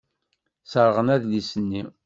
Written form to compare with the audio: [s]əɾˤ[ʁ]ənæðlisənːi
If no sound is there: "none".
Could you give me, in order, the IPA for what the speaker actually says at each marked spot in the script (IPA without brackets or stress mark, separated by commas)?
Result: s, ʁ